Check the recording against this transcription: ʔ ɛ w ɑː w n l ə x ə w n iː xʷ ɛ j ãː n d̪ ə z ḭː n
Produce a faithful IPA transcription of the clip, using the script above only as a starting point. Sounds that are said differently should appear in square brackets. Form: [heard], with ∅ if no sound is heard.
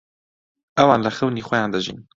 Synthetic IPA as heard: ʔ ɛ w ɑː [∅] n l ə x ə w n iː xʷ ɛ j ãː n d̪ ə [ʒ] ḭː n